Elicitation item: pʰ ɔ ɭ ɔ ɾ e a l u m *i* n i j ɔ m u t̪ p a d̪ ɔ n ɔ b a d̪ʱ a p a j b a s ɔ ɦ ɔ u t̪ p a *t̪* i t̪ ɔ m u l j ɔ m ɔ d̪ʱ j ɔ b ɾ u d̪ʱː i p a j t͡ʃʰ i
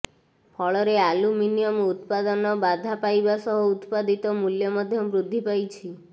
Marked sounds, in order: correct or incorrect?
correct, incorrect: d̪

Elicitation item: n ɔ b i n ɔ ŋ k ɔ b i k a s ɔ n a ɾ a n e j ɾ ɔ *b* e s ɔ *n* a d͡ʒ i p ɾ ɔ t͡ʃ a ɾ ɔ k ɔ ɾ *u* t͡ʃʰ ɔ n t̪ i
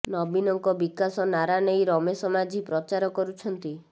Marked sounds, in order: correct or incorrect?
incorrect: m, incorrect: m, correct

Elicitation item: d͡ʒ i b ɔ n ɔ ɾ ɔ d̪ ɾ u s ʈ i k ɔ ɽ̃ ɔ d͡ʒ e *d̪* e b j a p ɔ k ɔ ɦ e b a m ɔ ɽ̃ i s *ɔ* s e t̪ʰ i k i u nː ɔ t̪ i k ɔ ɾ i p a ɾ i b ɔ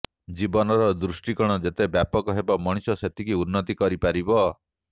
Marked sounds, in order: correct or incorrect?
incorrect: t̪, correct

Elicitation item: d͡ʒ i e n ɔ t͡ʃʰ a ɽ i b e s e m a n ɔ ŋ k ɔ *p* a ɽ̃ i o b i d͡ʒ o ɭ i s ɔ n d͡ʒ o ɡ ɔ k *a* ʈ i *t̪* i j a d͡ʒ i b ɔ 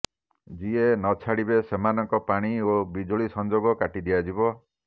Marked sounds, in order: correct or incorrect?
correct, correct, incorrect: d̪

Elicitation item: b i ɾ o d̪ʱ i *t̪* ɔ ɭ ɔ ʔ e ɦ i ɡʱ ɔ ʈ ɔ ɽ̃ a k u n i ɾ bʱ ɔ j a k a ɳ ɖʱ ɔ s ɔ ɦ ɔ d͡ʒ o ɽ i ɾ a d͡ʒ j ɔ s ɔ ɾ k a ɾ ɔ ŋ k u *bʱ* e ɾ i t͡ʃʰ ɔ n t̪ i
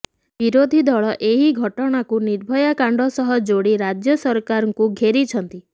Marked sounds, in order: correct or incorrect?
incorrect: d̪, incorrect: ɡʱ

